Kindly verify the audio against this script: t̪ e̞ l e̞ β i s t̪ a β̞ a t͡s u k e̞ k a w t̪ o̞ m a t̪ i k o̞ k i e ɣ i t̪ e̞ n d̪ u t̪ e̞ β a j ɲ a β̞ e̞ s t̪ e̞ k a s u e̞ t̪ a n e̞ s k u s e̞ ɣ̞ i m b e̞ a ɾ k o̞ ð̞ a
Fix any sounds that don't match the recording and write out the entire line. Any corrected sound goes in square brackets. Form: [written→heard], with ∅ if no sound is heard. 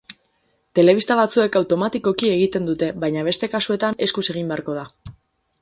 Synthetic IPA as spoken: t̪ e̞ l e̞ β i s t̪ a β̞ a t͡s u [k→∅] e̞ k a w t̪ o̞ m a t̪ i k o̞ k i e ɣ i t̪ e̞ n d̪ u t̪ e̞ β a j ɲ a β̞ e̞ s t̪ e̞ k a s u e̞ t̪ a n e̞ s k u s e̞ ɣ̞ i m b e̞ a ɾ k o̞ ð̞ a